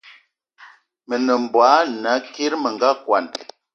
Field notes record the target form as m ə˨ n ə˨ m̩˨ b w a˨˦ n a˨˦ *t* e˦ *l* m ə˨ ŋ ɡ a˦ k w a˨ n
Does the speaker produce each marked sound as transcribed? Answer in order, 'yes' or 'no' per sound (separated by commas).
no, no